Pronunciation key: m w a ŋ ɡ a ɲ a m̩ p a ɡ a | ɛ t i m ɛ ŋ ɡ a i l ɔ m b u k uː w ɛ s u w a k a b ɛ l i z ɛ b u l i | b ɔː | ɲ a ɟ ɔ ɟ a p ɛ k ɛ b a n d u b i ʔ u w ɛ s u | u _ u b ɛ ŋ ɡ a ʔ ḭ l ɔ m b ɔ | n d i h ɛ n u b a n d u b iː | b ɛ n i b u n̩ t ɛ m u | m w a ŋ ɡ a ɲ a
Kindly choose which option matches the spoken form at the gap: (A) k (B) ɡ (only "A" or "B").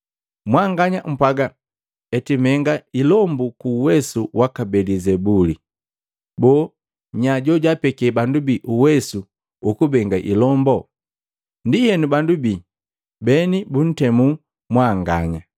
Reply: A